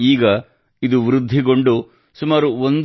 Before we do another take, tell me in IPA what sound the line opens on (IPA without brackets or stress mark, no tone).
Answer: iː